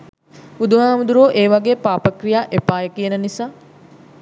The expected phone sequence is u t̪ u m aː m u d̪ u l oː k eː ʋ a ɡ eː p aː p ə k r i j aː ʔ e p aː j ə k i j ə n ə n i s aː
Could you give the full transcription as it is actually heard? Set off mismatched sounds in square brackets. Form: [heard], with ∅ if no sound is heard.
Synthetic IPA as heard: u [d̪] u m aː m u d̪ u [ɾ] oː [ʔ] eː ʋ a ɡ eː p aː p ə k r i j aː ʔ e p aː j ə k i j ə n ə n i s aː